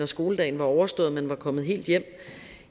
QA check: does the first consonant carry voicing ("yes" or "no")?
no